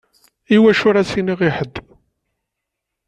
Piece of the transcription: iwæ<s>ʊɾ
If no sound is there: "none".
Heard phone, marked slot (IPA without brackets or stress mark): ʃ